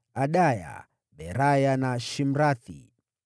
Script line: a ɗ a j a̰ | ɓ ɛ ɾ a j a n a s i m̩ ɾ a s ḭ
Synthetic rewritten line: a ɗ a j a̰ | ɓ ɛ ɾ a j a n a ʃ i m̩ ɾ a θ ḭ